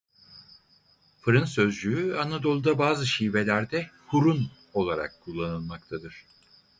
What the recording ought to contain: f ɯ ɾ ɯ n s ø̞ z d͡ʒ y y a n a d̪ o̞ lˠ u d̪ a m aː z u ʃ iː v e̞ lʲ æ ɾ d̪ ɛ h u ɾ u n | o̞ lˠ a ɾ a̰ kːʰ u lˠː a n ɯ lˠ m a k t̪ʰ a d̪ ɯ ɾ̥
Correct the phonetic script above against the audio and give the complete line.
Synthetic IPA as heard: f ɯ ɾ ɯ n s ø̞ z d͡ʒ y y a n a d̪ o̞ lˠ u d̪ a b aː z ɯ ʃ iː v e̞ lʲ æ ɾ d̪ ɛ h u ɾ u n | o̞ lˠ a ɾ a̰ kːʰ u lˠː a n ɯ lˠ m a k t̪ʰ a d̪ ɯ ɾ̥